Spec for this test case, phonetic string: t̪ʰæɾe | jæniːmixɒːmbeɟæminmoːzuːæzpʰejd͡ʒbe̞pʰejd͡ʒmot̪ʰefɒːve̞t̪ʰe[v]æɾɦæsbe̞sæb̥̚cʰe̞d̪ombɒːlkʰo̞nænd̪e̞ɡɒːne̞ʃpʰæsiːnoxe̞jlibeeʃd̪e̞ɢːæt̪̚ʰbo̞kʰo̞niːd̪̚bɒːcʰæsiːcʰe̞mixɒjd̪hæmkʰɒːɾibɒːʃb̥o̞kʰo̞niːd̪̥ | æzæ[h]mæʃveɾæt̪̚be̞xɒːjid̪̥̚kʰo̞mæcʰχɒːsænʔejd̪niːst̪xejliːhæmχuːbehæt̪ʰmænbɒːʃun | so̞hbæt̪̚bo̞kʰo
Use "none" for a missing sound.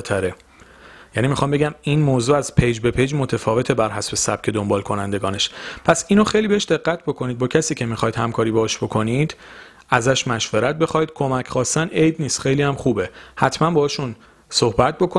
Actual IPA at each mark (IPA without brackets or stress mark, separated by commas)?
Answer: b, ʃ